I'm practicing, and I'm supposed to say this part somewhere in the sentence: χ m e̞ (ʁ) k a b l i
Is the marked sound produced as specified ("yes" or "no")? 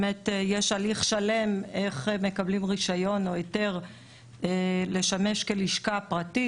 no